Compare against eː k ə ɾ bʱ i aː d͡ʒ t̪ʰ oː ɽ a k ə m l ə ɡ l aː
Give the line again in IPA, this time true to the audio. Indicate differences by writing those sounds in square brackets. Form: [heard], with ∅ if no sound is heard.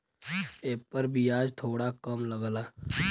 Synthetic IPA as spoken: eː [p] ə ɾ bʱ i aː d͡ʒ t̪ʰ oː ɽ a k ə m l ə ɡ l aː